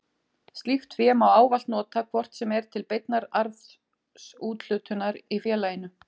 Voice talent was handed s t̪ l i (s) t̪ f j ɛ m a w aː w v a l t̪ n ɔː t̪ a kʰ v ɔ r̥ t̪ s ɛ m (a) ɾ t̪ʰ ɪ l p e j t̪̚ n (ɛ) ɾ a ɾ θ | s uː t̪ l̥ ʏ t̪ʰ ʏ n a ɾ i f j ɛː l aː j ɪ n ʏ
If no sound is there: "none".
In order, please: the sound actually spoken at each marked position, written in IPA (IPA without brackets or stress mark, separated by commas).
f, ɛ, a